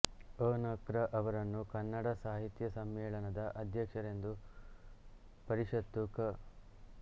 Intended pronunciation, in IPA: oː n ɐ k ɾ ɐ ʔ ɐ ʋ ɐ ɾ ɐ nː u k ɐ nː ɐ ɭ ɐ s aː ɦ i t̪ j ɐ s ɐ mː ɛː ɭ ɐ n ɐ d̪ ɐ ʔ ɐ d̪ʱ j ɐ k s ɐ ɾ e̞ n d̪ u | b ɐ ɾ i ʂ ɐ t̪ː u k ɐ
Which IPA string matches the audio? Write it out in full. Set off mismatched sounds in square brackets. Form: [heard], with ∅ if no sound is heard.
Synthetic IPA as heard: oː n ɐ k ɾ ɐ ʔ ɐ ʋ ɐ ɾ ɐ nː u k ɐ nː ɐ [ɽ] ɐ s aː ɦ i t̪ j ɐ s ɐ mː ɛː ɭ ɐ n ɐ d̪ ɐ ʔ ɐ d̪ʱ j ɐ k [ʂ] ɐ ɾ e̞ n d̪ u | [p] ɐ ɾ i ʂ ɐ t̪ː u k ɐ